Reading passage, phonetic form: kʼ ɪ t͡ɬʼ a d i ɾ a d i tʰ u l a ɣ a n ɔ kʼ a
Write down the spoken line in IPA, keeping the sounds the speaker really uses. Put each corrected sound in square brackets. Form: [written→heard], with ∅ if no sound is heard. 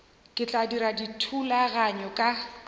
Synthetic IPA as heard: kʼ ɪ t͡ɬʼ a d i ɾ a d i tʰ u l a ɣ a [n→ɲ] ɔ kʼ a